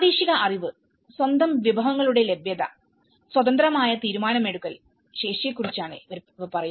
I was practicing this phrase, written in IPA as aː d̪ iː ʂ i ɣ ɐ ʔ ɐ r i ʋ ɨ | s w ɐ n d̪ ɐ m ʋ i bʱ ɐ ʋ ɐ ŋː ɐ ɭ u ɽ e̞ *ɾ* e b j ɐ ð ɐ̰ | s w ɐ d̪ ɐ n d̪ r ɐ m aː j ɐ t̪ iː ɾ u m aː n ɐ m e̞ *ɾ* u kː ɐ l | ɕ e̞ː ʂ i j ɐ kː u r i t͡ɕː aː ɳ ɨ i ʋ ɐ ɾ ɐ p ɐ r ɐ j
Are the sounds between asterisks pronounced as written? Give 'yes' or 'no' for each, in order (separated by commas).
no, no